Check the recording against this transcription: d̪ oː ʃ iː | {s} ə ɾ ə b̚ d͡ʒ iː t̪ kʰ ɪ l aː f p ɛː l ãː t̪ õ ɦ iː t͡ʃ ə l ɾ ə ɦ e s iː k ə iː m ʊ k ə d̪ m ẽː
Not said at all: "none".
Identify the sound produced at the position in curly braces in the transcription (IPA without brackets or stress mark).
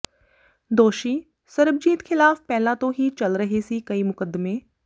s